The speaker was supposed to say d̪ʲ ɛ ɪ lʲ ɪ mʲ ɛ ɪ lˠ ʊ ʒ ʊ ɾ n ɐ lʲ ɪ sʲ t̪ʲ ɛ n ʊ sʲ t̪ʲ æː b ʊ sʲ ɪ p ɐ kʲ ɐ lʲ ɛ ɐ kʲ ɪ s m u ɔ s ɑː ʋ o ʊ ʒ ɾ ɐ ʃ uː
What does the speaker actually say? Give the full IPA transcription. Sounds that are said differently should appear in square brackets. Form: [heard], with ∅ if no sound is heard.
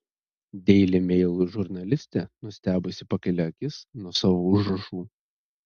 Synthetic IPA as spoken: d̪ʲ ɛ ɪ lʲ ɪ mʲ ɛ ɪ lˠ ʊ ʒ ʊ ɾ n ɐ lʲ ɪ sʲ t̪ʲ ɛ n ʊ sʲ t̪ʲ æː b ʊ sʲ ɪ p ɐ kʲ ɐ lʲ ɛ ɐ kʲ ɪ s [n] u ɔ s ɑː ʋ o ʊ ʒ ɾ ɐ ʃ uː

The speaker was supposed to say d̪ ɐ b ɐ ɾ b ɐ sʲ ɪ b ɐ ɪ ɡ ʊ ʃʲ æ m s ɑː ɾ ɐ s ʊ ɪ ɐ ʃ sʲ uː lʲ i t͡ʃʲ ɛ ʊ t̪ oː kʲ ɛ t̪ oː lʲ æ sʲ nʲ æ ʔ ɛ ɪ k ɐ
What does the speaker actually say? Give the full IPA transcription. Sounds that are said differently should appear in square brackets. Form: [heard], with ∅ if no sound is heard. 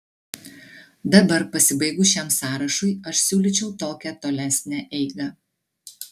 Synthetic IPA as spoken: d̪ ɐ b ɐ ɾ [p] ɐ sʲ ɪ b ɐ ɪ ɡ ʊ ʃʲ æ m s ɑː ɾ ɐ [ʃ] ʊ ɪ ɐ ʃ sʲ uː lʲ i t͡ʃʲ ɛ ʊ t̪ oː kʲ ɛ t̪ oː lʲ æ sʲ nʲ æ ʔ ɛ ɪ [ɡ] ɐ

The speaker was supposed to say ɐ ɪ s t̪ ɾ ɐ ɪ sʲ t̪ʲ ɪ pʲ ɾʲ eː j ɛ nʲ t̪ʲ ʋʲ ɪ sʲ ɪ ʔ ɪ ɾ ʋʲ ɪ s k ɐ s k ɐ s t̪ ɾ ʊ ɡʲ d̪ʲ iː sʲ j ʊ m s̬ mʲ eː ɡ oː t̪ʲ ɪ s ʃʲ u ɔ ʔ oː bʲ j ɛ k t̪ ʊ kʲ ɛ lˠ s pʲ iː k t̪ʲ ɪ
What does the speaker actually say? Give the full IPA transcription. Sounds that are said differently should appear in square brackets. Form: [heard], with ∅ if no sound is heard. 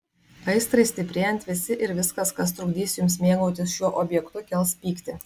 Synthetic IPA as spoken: ɐ ɪ s t̪ ɾ ɐ ɪ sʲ t̪ʲ ɪ pʲ ɾʲ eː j ɛ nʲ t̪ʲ ʋʲ ɪ sʲ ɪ ʔ ɪ ɾ ʋʲ ɪ s k ɐ s k ɐ s t̪ ɾ ʊ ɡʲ d̪ʲ iː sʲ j ʊ m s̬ mʲ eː ɡ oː t̪ʲ ɪ s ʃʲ u ɔ ʔ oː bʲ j ɛ k t̪ ʊ kʲ ɛ lˠ s pʲ iː k t̪ʲ ɪ

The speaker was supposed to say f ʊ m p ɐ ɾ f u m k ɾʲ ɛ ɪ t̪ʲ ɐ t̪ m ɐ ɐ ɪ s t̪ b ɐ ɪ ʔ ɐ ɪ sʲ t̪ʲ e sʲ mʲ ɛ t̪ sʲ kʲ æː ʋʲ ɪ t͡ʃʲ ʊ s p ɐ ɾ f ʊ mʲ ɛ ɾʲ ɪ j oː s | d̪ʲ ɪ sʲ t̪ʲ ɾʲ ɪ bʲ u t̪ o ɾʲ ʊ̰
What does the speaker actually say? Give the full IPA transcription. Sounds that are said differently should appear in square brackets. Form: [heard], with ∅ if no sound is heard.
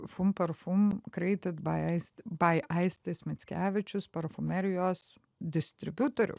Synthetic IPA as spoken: f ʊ m p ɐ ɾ f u m k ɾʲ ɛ ɪ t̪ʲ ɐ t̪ [b] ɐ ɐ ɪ s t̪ b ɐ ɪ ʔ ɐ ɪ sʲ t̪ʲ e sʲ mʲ ɛ t̪ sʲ kʲ æː ʋʲ ɪ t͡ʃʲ ʊ s p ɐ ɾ f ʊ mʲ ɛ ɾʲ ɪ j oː s | d̪ʲ ɪ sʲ t̪ʲ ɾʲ ɪ bʲ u t̪ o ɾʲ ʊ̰

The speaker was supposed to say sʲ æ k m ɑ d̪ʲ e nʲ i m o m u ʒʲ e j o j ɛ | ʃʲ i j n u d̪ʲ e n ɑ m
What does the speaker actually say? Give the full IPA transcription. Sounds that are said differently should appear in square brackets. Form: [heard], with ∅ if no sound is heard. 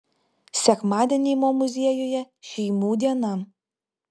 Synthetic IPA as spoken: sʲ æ k m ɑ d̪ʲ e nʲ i m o m u [zʲ] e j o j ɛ | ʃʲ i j [m] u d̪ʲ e n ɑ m

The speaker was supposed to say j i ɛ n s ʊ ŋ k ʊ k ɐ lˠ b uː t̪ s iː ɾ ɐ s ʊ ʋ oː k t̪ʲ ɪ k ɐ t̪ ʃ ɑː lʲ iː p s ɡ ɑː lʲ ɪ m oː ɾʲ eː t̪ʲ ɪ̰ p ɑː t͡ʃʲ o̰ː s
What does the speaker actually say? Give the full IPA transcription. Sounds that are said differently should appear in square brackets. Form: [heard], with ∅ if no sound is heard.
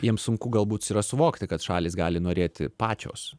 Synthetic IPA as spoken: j i ɛ [m] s ʊ ŋ k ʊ [ɡ] ɐ lˠ b uː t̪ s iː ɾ ɐ s ʊ ʋ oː k t̪ʲ ɪ k ɐ t̪ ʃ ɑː lʲ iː [∅] s ɡ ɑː lʲ ɪ [n] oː ɾʲ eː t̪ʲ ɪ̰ p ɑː t͡ʃʲ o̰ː s

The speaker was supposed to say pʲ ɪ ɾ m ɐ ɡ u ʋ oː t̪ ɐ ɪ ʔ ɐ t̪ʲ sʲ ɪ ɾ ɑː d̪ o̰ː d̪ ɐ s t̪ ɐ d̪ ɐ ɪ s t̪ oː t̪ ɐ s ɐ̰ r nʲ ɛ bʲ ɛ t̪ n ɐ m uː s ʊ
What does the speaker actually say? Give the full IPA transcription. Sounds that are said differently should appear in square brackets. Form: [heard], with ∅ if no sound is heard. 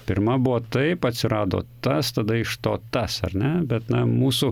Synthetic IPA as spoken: pʲ ɪ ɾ m ɐ [b] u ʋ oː t̪ ɐ ɪ [p] ɐ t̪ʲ sʲ ɪ ɾ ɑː d̪ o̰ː [t̪] ɐ s t̪ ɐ d̪ ɐ ɪ [ʃ] t̪ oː t̪ ɐ s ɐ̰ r nʲ ɛ bʲ ɛ t̪ n ɐ m uː s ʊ

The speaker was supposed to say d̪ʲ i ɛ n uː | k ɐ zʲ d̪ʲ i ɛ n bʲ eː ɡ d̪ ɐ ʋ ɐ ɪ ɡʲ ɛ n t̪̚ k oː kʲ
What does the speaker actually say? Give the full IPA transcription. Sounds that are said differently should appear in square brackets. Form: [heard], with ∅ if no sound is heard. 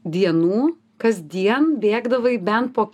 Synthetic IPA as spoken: d̪ʲ i ɛ n uː | k ɐ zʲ d̪ʲ i ɛ n bʲ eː ɡ d̪ ɐ ʋ ɐ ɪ [bʲ] ɛ n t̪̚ [p] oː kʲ

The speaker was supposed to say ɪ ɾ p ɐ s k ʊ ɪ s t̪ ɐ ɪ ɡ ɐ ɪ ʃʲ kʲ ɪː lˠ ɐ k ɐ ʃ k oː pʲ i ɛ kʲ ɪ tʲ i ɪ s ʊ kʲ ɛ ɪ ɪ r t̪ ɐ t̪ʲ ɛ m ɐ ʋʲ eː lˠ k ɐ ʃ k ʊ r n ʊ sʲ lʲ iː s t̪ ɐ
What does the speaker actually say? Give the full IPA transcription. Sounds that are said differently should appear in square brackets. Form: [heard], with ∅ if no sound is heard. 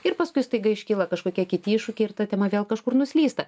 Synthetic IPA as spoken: ɪ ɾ p ɐ s k ʊ ɪ s t̪ ɐ ɪ ɡ ɐ ɪ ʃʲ kʲ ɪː lˠ ɐ k ɐ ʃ k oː [kʲ] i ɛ kʲ ɪ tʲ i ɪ [ʃ] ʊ kʲ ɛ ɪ ɪ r t̪ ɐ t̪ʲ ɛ m ɐ ʋʲ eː lˠ k ɐ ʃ k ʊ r n ʊ sʲ lʲ iː s t̪ ɐ

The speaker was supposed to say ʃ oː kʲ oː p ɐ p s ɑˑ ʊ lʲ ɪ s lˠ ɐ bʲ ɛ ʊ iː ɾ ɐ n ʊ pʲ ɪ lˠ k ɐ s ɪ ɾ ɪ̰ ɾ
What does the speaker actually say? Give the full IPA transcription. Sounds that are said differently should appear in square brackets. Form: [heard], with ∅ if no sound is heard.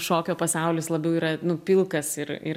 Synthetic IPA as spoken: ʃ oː kʲ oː p ɐ [∅] s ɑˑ ʊ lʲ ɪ s lˠ ɐ bʲ ɛ ʊ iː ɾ ɐ n ʊ pʲ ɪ lˠ k ɐ s ɪ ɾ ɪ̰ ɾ

